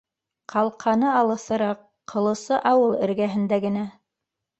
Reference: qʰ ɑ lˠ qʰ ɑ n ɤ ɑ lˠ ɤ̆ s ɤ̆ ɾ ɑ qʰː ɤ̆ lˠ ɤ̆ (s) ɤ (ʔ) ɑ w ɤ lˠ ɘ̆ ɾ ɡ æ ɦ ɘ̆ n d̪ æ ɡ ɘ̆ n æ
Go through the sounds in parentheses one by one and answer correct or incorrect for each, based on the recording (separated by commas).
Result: correct, correct